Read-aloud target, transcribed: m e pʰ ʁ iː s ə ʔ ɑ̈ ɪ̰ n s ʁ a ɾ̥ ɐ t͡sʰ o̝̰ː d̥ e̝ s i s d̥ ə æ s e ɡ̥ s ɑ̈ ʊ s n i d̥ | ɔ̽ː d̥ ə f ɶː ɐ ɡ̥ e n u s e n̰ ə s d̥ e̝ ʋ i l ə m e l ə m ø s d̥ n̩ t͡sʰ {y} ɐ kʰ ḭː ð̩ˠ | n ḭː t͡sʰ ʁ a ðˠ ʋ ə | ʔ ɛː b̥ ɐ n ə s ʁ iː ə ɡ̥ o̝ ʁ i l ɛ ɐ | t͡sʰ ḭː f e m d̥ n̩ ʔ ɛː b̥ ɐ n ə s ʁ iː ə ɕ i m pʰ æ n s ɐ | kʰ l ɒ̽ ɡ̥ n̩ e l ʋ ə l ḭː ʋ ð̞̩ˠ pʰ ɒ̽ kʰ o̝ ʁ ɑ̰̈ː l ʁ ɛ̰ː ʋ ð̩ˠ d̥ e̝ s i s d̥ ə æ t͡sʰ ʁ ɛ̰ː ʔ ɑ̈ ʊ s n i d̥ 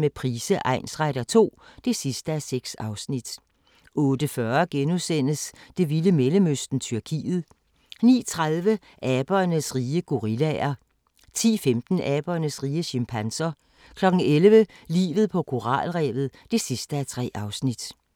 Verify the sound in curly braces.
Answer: correct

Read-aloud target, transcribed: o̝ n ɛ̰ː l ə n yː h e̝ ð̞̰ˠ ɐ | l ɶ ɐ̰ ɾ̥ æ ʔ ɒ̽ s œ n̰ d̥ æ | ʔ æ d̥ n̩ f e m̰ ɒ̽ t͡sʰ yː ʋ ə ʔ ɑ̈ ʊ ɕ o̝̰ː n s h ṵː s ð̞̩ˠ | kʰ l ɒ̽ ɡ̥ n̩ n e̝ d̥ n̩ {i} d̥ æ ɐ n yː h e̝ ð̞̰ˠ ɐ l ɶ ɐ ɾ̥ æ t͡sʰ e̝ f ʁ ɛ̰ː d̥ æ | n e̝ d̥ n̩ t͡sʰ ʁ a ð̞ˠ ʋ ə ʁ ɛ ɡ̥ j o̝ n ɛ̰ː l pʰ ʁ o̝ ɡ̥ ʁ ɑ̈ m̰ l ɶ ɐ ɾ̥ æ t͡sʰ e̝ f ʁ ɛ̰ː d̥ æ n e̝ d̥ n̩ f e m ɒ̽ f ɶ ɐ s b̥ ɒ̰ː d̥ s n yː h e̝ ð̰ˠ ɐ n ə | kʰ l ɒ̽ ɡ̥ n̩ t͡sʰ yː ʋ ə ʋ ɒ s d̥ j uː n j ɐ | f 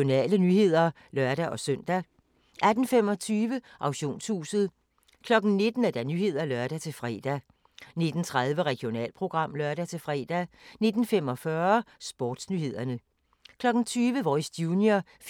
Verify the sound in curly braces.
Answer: incorrect: æ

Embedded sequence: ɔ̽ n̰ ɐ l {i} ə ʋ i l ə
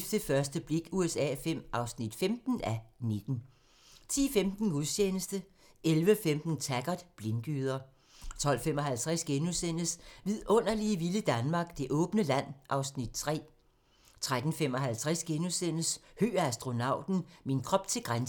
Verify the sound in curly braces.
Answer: correct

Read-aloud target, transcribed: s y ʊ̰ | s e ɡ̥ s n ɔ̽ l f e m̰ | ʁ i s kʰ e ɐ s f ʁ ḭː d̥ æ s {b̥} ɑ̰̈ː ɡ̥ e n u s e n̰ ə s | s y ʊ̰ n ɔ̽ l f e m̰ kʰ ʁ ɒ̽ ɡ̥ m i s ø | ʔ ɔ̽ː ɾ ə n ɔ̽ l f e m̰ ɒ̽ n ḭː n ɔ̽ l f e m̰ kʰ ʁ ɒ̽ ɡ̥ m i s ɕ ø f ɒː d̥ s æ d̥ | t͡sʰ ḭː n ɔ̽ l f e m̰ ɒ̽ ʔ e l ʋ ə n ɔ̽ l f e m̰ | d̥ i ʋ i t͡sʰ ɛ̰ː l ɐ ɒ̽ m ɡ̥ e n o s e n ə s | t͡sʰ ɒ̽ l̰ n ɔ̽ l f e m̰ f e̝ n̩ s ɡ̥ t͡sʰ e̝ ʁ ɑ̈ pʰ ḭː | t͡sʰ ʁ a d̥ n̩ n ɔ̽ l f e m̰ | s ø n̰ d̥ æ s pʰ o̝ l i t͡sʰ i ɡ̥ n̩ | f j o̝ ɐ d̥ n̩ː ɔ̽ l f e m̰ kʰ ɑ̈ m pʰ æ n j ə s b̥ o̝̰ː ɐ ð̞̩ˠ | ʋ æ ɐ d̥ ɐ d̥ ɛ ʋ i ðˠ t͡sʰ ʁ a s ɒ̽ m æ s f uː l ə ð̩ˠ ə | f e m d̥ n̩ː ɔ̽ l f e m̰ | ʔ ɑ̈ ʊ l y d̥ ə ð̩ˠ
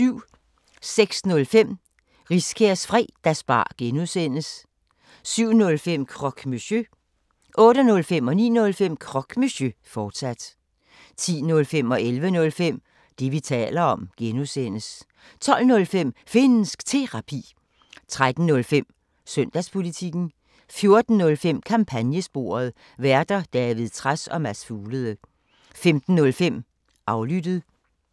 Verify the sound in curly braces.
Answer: correct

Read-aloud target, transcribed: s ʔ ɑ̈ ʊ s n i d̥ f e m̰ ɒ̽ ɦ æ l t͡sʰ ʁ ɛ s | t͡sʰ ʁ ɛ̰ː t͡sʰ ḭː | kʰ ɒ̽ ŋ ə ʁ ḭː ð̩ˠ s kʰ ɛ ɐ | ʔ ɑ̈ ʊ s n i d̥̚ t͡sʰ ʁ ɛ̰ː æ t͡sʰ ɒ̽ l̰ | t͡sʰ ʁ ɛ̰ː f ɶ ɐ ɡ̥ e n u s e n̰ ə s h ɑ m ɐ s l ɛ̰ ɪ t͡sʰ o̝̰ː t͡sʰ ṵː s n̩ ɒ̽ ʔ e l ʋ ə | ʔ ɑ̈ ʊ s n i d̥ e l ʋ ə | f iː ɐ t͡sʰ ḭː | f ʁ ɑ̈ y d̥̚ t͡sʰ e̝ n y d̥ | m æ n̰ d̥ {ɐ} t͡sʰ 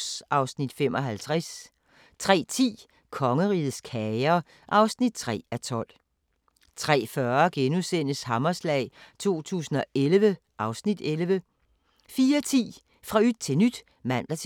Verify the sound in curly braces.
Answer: correct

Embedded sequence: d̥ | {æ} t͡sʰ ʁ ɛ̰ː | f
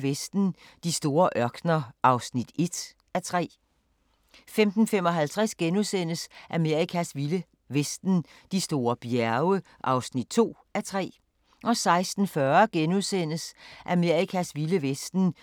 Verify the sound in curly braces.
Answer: correct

